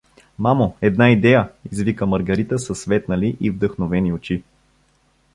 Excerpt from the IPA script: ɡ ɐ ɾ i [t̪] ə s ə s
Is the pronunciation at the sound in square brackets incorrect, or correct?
correct